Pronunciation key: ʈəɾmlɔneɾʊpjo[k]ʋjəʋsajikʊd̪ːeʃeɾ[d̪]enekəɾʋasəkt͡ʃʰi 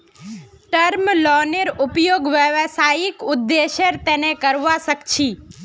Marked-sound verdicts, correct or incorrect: incorrect, incorrect

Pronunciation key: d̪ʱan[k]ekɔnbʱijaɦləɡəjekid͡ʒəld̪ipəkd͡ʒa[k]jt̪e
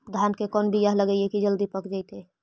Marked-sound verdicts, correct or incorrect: correct, incorrect

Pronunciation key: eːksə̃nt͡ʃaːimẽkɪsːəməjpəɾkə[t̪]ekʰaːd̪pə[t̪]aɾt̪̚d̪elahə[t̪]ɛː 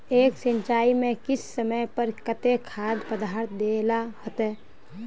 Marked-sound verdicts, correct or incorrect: correct, incorrect, correct

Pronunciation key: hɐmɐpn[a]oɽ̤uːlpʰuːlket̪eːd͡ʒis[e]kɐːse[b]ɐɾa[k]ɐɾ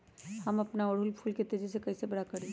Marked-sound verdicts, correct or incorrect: correct, correct, correct, correct

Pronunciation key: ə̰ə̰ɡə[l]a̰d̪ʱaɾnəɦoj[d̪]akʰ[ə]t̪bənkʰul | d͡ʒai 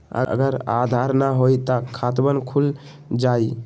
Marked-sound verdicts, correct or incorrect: incorrect, incorrect, incorrect

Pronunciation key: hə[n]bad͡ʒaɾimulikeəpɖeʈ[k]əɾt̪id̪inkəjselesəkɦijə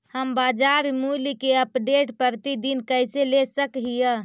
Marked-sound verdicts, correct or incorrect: incorrect, incorrect

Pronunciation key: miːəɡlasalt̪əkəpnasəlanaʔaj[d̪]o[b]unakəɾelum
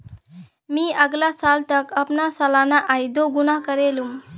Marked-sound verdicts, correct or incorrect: correct, incorrect

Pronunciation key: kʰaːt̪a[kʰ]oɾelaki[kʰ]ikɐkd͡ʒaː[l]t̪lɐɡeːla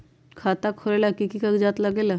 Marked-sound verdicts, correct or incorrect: correct, incorrect, incorrect

